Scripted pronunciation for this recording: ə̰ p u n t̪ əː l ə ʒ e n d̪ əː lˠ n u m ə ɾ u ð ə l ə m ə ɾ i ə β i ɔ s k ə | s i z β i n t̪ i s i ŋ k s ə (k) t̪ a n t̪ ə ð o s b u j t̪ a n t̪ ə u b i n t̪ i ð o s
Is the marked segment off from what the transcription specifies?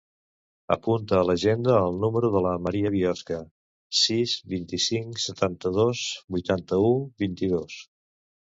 yes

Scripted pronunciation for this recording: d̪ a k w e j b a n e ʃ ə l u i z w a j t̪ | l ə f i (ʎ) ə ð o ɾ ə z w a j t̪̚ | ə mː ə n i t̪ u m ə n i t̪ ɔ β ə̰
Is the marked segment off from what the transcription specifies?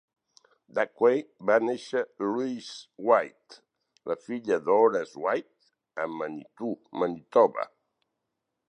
no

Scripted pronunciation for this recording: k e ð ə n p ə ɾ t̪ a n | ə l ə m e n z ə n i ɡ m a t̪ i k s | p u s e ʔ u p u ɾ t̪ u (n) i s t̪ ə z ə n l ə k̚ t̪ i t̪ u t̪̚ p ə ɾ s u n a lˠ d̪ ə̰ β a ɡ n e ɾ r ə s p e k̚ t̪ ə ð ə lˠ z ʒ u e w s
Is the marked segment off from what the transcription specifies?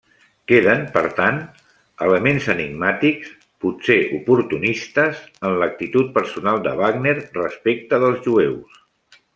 no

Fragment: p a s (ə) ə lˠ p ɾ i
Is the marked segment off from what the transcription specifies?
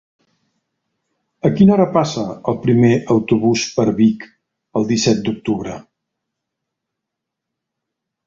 no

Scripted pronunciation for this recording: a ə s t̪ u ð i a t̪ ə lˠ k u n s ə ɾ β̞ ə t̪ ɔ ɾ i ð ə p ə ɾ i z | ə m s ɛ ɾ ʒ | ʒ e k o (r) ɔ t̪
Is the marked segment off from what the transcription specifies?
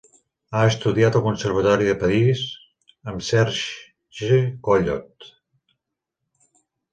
yes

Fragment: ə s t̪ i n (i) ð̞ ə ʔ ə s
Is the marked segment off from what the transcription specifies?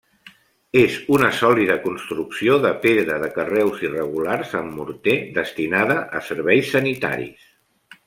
yes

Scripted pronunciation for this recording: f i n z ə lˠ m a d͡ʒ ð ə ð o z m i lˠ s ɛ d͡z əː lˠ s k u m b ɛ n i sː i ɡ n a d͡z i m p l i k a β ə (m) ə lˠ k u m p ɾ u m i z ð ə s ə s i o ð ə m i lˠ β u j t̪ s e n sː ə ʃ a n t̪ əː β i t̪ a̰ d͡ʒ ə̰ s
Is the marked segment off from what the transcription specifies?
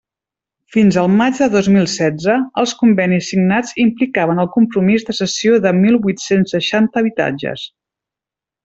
yes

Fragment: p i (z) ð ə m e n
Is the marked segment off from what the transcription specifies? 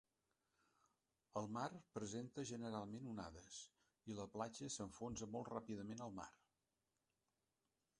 yes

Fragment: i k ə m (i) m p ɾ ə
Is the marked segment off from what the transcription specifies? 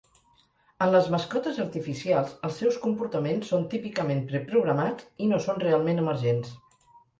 yes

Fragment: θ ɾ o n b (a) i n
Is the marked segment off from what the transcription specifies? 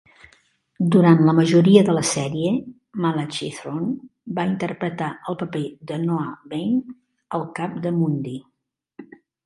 no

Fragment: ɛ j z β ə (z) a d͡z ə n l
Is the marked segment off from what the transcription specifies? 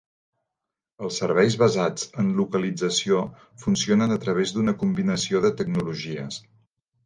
no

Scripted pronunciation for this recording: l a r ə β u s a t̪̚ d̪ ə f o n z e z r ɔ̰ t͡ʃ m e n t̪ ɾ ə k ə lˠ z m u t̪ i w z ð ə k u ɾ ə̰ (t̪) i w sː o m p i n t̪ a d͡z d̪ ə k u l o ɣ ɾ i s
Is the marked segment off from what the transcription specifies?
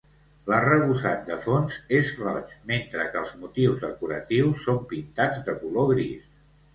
no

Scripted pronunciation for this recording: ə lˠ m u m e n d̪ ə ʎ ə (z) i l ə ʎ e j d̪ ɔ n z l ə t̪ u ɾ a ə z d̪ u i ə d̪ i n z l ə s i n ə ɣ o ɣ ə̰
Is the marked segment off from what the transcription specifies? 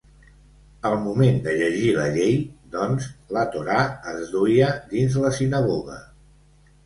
yes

